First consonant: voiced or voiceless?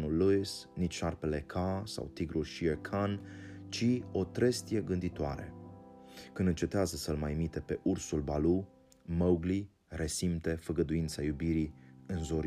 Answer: voiced